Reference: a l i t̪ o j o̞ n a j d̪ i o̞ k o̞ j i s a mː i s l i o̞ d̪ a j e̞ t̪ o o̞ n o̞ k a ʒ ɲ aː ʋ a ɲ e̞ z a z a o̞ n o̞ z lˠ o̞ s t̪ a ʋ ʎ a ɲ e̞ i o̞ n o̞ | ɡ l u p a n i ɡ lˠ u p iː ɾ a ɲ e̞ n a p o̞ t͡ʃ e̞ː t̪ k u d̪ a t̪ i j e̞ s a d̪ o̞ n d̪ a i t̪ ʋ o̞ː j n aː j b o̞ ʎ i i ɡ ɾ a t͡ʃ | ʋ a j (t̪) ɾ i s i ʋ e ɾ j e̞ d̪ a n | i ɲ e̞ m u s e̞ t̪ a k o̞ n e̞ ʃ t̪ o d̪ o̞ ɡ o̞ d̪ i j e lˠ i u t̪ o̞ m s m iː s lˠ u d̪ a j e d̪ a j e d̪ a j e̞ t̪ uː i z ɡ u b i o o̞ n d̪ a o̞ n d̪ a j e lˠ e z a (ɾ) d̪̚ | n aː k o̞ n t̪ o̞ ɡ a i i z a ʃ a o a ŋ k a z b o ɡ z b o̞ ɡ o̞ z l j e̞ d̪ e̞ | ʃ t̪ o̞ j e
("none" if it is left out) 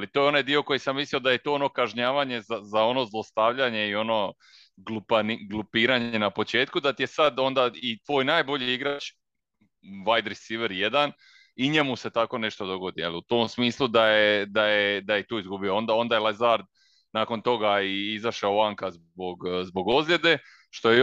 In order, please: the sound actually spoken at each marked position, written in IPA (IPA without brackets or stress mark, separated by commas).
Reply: d̪, ɾ